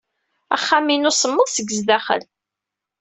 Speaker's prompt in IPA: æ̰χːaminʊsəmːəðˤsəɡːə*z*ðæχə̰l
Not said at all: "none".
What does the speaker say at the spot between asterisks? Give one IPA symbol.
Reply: z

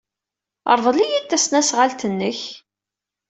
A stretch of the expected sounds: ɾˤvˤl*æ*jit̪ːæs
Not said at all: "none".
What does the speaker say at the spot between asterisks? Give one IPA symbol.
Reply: i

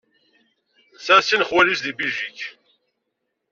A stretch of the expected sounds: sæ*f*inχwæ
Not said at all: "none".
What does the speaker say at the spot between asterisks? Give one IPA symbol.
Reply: s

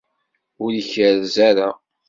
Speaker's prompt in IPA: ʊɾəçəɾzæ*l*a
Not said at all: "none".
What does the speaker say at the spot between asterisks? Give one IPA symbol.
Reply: ɾ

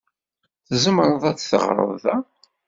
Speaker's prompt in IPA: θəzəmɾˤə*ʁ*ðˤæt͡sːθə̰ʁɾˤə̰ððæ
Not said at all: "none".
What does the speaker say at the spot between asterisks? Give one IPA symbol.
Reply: none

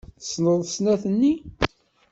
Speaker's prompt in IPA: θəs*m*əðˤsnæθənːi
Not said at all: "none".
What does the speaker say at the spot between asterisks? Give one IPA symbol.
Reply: n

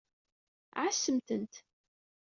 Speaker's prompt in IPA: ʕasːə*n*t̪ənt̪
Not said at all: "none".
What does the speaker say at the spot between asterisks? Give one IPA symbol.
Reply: m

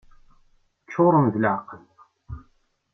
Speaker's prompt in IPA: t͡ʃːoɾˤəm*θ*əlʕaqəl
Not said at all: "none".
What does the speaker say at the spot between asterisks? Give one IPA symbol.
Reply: ð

